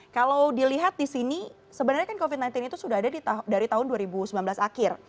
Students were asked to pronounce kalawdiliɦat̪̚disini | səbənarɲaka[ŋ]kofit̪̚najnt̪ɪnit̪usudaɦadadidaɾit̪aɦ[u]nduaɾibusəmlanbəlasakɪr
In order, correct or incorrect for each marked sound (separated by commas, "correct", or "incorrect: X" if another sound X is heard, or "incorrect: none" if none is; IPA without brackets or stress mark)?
incorrect: n, incorrect: ʊ